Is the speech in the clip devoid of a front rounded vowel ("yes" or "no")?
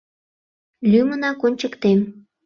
no